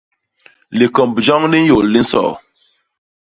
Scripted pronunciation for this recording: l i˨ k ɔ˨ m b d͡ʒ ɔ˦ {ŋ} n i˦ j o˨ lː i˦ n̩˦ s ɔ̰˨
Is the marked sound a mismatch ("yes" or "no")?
no